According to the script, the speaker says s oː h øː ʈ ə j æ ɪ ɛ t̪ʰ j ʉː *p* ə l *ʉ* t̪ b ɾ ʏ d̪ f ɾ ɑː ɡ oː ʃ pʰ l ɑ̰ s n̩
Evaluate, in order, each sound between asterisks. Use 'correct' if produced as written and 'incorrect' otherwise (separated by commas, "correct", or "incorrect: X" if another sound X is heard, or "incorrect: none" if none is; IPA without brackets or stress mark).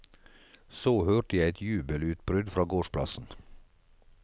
incorrect: b, incorrect: ʉː